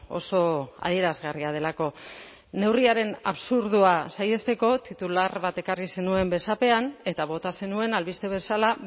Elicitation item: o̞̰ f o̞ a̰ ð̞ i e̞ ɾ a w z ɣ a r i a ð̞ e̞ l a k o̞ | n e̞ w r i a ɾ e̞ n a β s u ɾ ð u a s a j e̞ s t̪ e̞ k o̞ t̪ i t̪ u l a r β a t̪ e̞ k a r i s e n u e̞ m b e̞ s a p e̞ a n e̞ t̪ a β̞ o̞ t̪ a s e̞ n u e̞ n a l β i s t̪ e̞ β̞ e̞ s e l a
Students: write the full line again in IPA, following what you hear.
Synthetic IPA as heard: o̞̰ s o̞ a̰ ð̞ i e̞ ɾ a z ɣ a r i a ð̞ e̞ l a k o̞ | n e̞ w r i a ɾ e̞ n a β s u ɾ ð u a s a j e̞ s t̪ e̞ k o̞ t̪ i t̪ u l a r β a t̪ e̞ k a r i s e n u e̞ m b e̞ s a p e̞ a n e̞ t̪ a β̞ o̞ t̪ a s e̞ n u e̞ n a l β i s t̪ e̞ β̞ e̞ s a l a